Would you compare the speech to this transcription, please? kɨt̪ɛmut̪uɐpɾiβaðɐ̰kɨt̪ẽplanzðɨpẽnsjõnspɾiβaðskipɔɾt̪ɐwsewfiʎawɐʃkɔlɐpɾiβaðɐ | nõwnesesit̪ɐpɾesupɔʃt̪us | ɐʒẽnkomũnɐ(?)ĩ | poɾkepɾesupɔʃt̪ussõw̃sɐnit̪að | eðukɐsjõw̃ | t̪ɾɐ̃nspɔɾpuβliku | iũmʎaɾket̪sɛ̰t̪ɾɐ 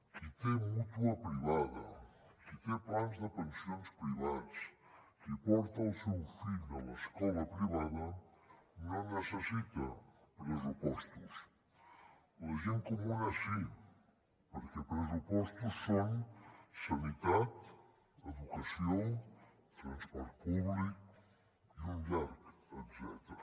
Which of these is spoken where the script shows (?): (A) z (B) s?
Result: B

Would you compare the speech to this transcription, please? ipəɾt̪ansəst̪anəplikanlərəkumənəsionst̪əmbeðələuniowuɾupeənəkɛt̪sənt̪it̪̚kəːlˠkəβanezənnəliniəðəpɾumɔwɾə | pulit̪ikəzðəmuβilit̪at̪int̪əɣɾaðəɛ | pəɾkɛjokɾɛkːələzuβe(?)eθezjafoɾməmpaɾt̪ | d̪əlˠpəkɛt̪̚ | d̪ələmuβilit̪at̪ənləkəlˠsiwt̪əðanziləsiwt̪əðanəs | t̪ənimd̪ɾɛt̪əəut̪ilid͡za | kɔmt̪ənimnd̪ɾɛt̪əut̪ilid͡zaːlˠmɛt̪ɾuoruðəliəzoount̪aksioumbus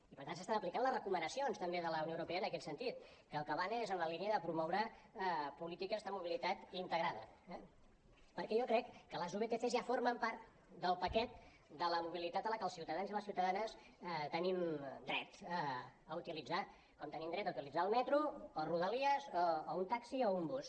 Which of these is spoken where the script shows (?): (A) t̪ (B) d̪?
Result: A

